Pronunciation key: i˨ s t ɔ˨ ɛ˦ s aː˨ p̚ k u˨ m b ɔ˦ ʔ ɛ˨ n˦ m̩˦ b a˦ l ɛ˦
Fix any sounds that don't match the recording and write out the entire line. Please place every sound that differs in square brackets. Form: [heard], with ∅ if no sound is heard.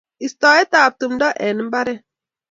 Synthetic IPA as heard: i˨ s t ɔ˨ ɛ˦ [t] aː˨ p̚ [t] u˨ m [d] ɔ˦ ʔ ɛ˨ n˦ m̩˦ b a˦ [ɾ] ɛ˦